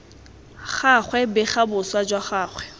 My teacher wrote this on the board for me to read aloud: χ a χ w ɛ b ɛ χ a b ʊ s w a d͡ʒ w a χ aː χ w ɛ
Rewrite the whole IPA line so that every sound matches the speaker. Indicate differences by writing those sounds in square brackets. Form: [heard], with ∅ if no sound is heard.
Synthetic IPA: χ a χ w ɛ b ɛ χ a b ʊ s w a d͡ʒ w a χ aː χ w ɛ